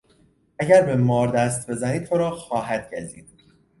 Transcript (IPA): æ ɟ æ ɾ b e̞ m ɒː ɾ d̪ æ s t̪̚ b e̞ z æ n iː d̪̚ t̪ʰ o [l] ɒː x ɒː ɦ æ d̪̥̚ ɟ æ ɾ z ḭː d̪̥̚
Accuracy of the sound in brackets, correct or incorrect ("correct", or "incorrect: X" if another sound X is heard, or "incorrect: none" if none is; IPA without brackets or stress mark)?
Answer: incorrect: ɾ